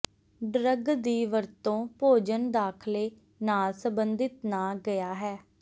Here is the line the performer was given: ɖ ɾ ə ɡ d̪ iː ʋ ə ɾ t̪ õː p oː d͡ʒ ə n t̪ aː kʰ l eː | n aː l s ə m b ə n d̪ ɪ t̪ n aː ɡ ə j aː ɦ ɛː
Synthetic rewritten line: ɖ ɾ ə ɡ d̪ iː ʋ ə ɾ t̪ õː p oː d͡ʒ ə n d̪ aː kʰ l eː | n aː l s ə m b ə n d̪ ɪ t̪ n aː ɡ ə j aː ɦ ɛː